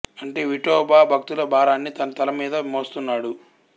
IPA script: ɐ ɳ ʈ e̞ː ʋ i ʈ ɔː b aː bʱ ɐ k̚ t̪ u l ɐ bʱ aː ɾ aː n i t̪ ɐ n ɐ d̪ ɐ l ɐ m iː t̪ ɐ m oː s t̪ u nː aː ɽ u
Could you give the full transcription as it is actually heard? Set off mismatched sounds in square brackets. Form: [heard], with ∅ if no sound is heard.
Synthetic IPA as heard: ɐ ɳ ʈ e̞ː ʋ i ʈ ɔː b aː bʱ ɐ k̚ t̪ u l ɐ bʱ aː ɾ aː [nː] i t̪ ɐ n ɐ [t̪] ɐ l ɐ m iː [d̪] ɐ m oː s t̪ u nː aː ɽ u